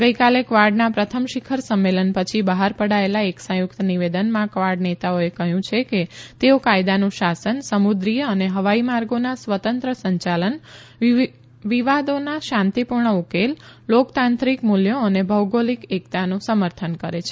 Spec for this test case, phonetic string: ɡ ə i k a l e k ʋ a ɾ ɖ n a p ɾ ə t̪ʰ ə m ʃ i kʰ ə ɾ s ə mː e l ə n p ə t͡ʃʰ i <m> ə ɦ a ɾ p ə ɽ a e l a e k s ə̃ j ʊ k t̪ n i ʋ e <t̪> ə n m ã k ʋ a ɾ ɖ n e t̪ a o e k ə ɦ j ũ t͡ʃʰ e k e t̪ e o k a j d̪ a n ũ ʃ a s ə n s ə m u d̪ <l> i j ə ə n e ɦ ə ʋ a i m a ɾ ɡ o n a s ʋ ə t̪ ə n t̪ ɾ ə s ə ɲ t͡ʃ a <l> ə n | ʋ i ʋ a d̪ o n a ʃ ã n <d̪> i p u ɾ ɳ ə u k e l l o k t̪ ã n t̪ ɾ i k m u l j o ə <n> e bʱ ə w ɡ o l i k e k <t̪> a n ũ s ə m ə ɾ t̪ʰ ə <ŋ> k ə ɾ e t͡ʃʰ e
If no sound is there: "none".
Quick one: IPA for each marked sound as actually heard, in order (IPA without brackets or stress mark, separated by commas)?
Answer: b, d̪, ɾ, l, t̪, n, t̪, n